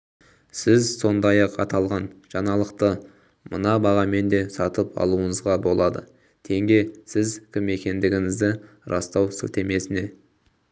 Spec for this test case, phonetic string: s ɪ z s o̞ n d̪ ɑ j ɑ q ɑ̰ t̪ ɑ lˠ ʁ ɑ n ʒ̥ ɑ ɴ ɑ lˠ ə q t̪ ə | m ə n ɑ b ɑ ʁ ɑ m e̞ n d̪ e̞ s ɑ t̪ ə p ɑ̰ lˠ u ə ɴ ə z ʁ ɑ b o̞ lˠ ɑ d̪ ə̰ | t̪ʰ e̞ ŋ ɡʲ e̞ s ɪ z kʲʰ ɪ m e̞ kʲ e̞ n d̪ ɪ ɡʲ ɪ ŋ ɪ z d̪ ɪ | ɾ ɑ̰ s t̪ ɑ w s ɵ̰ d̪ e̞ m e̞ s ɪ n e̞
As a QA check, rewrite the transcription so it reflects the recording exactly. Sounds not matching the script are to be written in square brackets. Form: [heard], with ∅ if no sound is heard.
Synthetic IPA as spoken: s ɪ z s o̞ n d̪ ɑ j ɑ q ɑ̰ t̪ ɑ lˠ ʁ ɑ n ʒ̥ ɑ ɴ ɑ lˠ ə q t̪ ə | m ə n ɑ b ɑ ʁ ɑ m e̞ n d̪ e̞ s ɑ t̪ ə p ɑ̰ lˠ u ə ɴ ə z ʁ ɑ b o̞ lˠ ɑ d̪ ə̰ | t̪ʰ e̞ ŋ ɡʲ e̞ s ɪ z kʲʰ ɪ m e̞ kʲ e̞ n d̪ ɪ ɡʲ ɪ ŋ ɪ z d̪ ɪ | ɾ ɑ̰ s t̪ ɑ w s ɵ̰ [t̪] e̞ m e̞ s ɪ n e̞

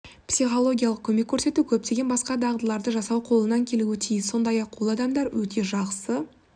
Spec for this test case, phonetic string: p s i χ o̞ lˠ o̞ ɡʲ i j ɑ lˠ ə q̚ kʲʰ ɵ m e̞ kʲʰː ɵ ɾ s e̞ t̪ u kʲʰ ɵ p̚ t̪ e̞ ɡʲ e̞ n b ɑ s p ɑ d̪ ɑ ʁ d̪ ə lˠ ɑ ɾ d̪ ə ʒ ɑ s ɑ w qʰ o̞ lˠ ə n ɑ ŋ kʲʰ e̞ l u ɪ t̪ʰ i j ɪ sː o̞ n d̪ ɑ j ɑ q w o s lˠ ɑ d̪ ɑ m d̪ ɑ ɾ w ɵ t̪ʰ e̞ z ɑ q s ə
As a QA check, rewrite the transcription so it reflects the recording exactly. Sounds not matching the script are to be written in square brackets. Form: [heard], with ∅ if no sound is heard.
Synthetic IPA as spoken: p s i χ o̞ lˠ o̞ ɡʲ i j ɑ lˠ ə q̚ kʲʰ ɵ m e̞ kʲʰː ɵ ɾ s e̞ t̪ u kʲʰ ɵ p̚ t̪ e̞ ɡʲ e̞ n b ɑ s [q] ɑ d̪ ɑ ʁ d̪ ə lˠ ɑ ɾ d̪ ə ʒ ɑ s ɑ w qʰ o̞ lˠ ə n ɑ ŋ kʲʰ e̞ l u ɪ t̪ʰ i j ɪ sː o̞ n d̪ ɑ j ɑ q w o [∅] lˠ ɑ d̪ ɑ m d̪ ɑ ɾ w ɵ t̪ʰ e̞ [ʒ] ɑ q s ə

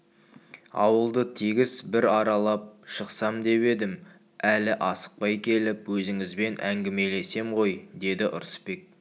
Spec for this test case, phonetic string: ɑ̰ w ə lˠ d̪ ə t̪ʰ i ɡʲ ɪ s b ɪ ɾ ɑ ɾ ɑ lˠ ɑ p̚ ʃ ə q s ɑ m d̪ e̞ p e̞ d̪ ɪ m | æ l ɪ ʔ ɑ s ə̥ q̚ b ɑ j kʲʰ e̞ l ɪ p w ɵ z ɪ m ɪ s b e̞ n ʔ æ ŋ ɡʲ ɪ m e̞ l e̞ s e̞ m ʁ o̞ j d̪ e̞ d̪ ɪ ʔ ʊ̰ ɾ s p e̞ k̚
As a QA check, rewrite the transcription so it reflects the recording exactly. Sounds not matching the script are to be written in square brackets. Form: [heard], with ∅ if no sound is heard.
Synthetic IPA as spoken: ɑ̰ w ə lˠ d̪ ə t̪ʰ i ɡʲ ɪ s b ɪ ɾ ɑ ɾ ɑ lˠ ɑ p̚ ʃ ə q s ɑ m d̪ e̞ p e̞ d̪ ɪ m | æ l ɪ ʔ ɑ s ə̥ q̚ [p] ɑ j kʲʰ e̞ l ɪ p w ɵ z ɪ [ŋ] ɪ [z] b e̞ n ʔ æ ŋ ɡʲ ɪ m e̞ l e̞ s e̞ m ʁ o̞ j d̪ e̞ d̪ ɪ ʔ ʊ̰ ɾ s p e̞ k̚

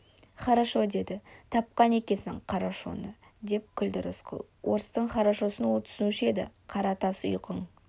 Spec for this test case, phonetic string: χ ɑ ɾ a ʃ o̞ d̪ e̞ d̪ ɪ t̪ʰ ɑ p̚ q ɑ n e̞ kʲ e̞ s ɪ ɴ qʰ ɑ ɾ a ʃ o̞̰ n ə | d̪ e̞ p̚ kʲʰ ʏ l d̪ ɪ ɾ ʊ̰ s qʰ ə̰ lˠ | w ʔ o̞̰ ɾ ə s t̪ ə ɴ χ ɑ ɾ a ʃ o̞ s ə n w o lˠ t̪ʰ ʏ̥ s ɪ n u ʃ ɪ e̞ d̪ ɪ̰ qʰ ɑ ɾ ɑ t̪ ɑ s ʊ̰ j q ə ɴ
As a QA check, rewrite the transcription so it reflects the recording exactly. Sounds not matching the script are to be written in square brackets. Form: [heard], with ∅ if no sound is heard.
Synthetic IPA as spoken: χ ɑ ɾ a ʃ o̞ d̪ e̞ d̪ ɪ t̪ʰ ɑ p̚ q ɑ n e̞ kʲ e̞ s ɪ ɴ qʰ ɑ ɾ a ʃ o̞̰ n ə | d̪ e̞ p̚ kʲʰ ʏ l d̪ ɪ ɾ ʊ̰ s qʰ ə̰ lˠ | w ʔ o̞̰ ɾ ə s t̪ ə ɴ χ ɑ ɾ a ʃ o̞ s ə n w o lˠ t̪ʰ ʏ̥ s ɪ n u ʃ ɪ e̞ d̪ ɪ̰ qʰ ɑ ɾ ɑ t̪ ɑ s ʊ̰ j q ə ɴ

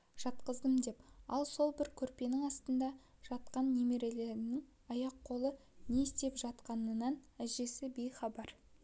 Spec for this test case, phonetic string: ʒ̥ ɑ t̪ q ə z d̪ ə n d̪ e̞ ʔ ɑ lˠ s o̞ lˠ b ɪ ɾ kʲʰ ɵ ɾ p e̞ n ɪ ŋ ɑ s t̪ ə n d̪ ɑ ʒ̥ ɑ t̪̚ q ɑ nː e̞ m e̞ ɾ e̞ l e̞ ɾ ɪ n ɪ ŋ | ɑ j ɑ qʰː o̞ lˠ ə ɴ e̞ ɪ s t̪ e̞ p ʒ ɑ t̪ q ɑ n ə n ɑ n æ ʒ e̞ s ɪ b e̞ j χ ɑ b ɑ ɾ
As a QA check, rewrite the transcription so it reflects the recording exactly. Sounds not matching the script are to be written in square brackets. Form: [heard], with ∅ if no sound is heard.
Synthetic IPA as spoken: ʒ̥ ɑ t̪ q ə z d̪ ə [m] d̪ e̞ [p] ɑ lˠ s o̞ lˠ b ɪ ɾ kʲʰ ɵ ɾ p e̞ n ɪ ŋ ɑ s t̪ ə n d̪ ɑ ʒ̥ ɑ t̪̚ q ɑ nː e̞ m e̞ ɾ e̞ l e̞ ɾ ɪ n ɪ ŋ | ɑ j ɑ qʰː o̞ lˠ ə [n] e̞ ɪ s t̪ e̞ p ʒ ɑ t̪ q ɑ n ə n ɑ n æ ʒ e̞ s ɪ b e̞ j χ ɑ b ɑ ɾ

